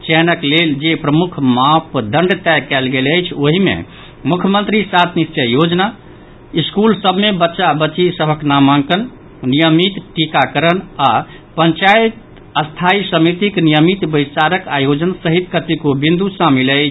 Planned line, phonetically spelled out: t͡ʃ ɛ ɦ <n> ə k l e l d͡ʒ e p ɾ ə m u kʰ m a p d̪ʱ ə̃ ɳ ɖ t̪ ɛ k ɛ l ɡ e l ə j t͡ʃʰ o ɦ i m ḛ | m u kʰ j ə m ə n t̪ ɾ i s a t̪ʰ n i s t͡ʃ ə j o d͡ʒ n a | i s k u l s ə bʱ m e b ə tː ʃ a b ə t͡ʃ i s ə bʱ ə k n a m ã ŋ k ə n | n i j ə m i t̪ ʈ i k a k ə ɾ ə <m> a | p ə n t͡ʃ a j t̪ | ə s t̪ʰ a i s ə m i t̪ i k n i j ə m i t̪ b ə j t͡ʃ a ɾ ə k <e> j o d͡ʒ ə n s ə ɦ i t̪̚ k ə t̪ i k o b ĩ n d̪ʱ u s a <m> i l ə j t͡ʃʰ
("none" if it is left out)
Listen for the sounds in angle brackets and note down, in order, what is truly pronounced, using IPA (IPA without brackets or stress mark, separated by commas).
n, n, a, m